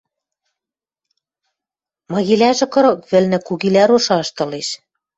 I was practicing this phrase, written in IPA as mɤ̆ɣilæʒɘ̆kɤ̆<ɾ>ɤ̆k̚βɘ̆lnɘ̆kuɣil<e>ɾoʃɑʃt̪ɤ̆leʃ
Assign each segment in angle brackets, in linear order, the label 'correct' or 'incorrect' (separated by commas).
correct, incorrect